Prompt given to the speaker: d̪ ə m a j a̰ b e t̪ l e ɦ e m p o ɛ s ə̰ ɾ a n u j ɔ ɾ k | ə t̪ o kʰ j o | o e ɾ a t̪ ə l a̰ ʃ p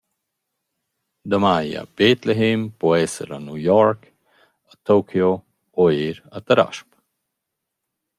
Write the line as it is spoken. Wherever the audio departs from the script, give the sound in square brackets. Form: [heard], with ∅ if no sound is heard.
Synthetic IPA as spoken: d̪ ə m a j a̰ b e t̪ l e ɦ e m p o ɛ s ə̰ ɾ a n u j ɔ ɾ k | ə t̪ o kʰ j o | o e ɾ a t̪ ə [ɾ] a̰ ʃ p